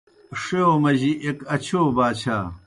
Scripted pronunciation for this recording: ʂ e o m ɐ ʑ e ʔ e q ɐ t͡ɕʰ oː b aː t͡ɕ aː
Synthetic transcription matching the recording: ʂ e o m ɐ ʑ i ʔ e k ɐ t͡ɕʰ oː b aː t͡ɕʰ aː

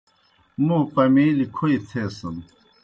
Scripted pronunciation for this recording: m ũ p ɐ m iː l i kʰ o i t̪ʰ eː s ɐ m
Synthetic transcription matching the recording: m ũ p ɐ m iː l i kʰ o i t̪ʰ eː s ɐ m

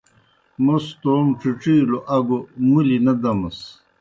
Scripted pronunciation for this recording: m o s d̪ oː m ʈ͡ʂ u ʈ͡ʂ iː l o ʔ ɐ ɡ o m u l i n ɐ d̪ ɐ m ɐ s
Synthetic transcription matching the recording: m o s t̪ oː m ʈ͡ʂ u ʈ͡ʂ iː l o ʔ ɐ ɡ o m u l i n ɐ d̪ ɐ m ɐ s

